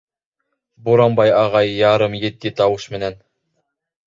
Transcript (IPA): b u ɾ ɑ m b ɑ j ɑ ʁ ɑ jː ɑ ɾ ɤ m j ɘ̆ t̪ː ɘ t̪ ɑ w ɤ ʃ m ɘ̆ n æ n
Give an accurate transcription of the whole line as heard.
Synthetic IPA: b u ɾ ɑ m b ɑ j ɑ ʁ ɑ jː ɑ ɾ ɤ m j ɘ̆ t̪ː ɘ t̪ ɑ w ɤ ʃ m ɘ̆ n æ n